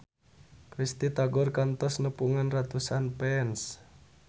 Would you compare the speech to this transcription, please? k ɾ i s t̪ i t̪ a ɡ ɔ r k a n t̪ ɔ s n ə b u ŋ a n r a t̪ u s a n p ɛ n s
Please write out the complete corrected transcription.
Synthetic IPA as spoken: k ɾ i s t̪ i t̪ a ɡ ɔ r k a n t̪ ɔ s n ə p u ŋ a n r a t̪ u s a n p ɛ n s